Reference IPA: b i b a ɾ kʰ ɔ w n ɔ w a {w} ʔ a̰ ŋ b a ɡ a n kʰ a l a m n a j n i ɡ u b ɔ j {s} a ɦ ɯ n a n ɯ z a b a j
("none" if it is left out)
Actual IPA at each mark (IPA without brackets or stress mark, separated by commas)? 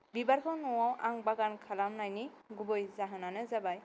w, z